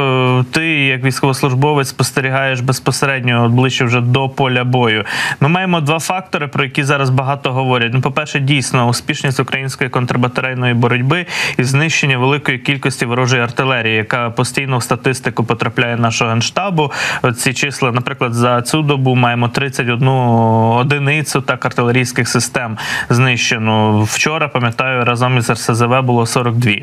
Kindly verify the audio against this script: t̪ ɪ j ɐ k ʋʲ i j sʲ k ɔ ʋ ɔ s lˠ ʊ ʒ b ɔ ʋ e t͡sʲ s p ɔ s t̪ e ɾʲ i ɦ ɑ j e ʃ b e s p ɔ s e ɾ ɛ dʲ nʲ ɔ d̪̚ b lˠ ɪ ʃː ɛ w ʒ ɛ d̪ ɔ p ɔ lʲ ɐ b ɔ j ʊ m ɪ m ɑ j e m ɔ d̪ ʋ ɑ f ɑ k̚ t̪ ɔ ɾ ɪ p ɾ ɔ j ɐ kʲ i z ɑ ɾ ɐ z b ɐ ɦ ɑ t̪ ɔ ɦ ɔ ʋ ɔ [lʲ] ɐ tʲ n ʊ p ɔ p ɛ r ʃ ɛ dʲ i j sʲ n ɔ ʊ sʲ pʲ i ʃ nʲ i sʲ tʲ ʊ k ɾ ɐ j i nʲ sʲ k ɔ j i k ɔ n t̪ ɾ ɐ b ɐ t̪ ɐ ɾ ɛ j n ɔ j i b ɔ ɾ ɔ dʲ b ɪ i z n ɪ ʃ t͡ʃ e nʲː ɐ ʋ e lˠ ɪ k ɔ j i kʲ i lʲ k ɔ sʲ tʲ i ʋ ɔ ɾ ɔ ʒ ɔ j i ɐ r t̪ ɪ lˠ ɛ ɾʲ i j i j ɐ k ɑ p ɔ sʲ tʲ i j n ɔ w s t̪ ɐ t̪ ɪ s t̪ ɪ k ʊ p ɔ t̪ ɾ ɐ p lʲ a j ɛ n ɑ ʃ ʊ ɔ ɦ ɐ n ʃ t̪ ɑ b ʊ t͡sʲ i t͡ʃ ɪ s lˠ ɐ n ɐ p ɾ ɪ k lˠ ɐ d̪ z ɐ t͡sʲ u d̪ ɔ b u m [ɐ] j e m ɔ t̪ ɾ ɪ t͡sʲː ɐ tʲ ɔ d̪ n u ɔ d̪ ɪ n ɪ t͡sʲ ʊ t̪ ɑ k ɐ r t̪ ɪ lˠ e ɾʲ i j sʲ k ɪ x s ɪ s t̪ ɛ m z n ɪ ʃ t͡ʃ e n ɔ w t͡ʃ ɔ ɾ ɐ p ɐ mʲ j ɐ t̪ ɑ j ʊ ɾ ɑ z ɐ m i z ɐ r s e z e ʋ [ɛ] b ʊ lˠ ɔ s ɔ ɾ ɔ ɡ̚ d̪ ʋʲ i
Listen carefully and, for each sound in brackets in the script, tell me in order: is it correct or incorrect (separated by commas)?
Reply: incorrect, incorrect, correct